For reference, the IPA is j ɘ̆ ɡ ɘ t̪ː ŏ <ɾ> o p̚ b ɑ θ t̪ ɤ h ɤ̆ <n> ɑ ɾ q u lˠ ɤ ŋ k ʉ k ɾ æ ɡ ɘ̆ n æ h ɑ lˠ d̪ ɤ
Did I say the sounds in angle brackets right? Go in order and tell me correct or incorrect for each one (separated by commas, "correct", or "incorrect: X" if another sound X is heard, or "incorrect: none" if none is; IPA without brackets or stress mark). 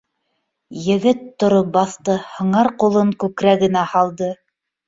correct, incorrect: ɴ